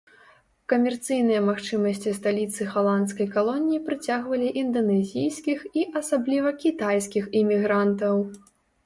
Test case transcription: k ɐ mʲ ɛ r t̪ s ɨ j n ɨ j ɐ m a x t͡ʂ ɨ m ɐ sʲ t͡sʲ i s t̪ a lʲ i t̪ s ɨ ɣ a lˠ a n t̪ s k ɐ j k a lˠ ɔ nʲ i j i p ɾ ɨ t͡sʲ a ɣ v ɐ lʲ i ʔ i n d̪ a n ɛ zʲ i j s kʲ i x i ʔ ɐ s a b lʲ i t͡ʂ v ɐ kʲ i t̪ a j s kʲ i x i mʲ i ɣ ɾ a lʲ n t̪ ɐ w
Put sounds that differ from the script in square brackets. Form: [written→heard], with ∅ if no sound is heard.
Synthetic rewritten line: k ɐ mʲ ɛ r t̪ s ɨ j n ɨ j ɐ m a x t͡ʂ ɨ m ɐ sʲ t͡sʲ i s t̪ a lʲ i t̪ s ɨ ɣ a lˠ a n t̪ s k ɐ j k a lˠ ɔ nʲ i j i p ɾ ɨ t͡sʲ a ɣ v ɐ lʲ i ʔ i n d̪ [a→ɐ] n ɛ zʲ i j s kʲ i x i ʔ ɐ s a b lʲ i [t͡ʂ→∅] v ɐ kʲ i t̪ a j s kʲ i x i mʲ i ɣ ɾ a [lʲ→∅] n t̪ ɐ w